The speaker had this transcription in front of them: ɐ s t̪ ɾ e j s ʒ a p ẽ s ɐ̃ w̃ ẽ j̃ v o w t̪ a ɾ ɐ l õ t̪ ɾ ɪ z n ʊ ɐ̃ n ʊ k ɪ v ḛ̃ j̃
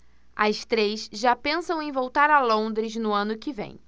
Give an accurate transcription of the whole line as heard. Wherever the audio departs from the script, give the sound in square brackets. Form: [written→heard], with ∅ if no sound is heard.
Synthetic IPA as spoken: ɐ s t̪ ɾ e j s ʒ a p ẽ s ɐ̃ w̃ ẽ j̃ v o w t̪ a ɾ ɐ l õ [t̪→d̪] ɾ ɪ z n ʊ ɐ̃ n ʊ k ɪ v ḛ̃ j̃